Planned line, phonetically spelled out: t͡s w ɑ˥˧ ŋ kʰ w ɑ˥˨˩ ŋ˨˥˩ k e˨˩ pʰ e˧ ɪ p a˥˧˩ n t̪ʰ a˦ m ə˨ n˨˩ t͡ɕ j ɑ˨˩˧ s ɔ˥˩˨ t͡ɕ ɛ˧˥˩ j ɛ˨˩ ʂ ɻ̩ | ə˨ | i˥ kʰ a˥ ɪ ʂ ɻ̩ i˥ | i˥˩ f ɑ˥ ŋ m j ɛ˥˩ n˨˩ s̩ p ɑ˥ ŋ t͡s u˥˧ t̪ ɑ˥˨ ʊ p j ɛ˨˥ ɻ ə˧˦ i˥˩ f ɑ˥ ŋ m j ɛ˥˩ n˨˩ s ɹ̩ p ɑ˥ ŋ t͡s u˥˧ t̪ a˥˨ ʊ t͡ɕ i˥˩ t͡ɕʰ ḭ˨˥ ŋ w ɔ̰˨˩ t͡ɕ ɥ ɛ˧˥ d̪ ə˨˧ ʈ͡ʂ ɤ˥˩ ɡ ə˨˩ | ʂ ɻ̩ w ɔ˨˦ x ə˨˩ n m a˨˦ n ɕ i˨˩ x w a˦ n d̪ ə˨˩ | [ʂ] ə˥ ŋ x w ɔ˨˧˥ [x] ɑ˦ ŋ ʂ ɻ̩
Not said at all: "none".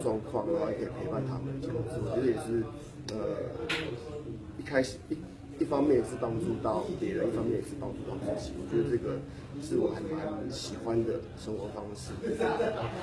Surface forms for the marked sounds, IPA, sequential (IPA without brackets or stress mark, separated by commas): ʂ, f